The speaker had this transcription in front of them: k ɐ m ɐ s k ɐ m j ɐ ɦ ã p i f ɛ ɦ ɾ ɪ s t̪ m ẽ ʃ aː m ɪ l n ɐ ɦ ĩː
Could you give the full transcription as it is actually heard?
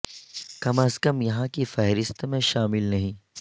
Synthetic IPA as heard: k ɐ m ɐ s k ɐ m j ɐ ɦ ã k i f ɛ ɦ ɾ ɪ s t̪ m ẽ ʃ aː m ɪ l n ɐ ɦ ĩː